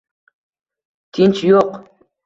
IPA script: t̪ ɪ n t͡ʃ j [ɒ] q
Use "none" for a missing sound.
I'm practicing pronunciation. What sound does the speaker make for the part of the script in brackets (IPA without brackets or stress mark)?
o